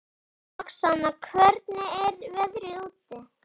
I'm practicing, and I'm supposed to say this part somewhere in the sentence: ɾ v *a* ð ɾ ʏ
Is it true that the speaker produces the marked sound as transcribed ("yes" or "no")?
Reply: no